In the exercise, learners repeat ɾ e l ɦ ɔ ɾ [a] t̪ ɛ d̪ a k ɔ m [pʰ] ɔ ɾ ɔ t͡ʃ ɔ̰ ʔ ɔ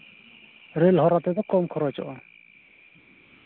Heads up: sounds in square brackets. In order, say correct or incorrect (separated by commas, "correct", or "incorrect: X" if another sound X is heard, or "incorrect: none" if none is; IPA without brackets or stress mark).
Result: correct, incorrect: kʰ